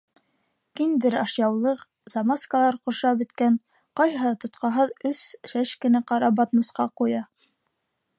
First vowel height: high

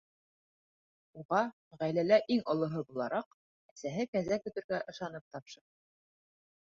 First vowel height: high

